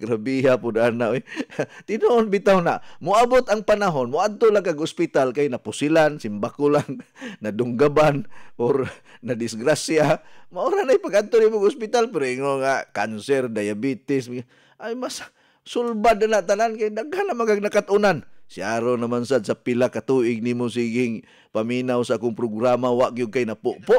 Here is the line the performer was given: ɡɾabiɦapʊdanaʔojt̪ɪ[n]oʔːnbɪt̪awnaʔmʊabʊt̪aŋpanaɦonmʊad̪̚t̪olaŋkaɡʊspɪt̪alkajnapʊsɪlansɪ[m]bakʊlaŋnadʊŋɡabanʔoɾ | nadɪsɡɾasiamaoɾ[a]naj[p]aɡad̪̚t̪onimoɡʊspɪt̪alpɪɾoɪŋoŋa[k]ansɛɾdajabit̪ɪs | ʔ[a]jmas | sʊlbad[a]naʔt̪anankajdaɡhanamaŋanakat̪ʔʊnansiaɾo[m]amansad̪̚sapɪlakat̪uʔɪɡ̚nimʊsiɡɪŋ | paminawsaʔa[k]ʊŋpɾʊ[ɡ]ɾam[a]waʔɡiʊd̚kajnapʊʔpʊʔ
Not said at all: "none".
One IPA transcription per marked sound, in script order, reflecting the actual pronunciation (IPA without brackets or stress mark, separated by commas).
n, m, a, p, k, a, a, n, k, ɡ, a